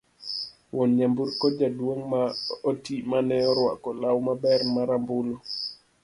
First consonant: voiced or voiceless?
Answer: voiced